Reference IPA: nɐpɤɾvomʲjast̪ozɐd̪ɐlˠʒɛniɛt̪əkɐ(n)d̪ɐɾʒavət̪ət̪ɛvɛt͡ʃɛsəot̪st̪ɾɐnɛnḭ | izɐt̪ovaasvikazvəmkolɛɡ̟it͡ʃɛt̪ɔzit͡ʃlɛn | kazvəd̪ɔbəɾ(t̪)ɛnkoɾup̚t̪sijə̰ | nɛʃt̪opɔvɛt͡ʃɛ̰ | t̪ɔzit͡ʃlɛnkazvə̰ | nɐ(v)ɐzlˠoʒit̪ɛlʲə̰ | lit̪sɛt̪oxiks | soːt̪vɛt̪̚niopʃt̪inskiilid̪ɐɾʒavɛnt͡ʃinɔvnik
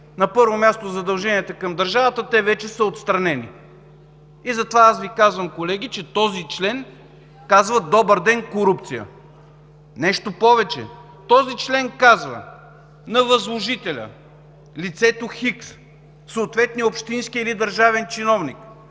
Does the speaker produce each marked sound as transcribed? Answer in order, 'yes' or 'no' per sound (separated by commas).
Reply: no, no, yes